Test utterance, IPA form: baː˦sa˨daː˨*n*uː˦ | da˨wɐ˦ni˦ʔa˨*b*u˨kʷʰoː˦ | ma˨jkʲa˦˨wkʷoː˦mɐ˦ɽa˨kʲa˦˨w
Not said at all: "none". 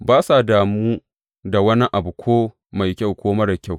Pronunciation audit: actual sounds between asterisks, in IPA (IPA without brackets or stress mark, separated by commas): m, b